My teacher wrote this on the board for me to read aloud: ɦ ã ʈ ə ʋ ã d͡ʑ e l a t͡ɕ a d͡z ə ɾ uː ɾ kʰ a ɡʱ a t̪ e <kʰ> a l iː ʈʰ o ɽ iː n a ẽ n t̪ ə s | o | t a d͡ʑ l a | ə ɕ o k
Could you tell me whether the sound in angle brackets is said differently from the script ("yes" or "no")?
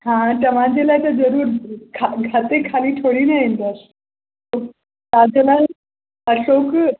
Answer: no